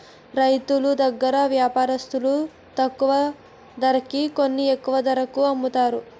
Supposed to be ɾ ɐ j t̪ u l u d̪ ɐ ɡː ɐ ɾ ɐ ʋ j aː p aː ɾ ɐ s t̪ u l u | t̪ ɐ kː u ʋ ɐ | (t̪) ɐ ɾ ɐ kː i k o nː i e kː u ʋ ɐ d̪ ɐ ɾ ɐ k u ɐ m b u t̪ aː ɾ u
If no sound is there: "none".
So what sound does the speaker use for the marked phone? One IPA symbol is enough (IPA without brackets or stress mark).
d̪